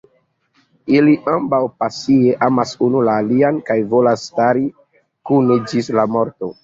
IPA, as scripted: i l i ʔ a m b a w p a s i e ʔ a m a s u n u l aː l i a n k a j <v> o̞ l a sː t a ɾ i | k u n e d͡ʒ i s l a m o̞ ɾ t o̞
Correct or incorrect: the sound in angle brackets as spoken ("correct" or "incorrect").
correct